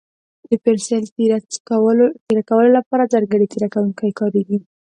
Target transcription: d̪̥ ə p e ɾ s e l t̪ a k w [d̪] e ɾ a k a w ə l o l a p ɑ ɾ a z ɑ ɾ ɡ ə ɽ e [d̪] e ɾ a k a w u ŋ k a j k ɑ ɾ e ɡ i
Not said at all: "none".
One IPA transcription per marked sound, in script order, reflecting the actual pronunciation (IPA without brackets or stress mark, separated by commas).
t̪, t̪